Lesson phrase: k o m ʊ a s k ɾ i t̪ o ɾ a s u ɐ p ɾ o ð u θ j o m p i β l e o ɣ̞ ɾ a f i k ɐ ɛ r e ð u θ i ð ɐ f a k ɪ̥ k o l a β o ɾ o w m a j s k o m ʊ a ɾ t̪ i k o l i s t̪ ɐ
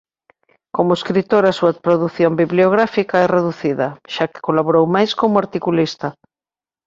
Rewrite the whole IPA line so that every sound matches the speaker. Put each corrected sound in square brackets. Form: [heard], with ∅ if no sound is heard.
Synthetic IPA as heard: k o m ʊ [e] s k ɾ i t̪ o ɾ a s u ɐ p ɾ o ð u θ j o m [b] i β l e o ɣ̞ ɾ a f i k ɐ ɛ r e ð u θ i ð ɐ [ʃ] a k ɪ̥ k o l a β o ɾ o w m a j s k o m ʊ a ɾ t̪ i k [u] l i s t̪ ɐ